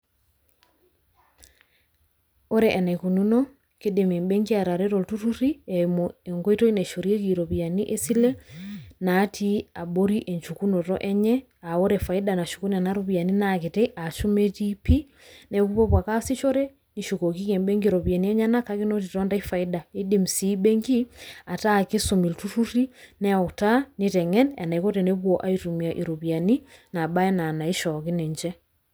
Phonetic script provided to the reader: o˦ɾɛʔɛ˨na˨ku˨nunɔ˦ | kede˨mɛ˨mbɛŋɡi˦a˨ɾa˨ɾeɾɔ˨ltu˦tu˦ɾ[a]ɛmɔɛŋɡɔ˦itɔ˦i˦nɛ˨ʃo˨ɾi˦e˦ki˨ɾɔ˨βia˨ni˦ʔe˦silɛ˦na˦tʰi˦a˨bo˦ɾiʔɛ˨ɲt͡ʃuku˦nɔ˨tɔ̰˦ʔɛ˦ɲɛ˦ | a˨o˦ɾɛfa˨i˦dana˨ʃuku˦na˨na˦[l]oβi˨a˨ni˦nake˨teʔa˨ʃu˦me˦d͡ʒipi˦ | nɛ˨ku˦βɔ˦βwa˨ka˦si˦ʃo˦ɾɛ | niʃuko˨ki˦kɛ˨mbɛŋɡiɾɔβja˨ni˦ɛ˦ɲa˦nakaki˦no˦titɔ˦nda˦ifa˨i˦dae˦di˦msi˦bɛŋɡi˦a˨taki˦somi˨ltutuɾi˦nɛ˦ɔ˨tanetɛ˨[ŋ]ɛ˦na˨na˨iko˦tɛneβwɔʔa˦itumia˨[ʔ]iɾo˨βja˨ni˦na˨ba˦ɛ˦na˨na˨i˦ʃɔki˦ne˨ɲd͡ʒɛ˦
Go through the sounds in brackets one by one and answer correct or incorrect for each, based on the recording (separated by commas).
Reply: incorrect, incorrect, correct, correct